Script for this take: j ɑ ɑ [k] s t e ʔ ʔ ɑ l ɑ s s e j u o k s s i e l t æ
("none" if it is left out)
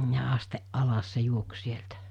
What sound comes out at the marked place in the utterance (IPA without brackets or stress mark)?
none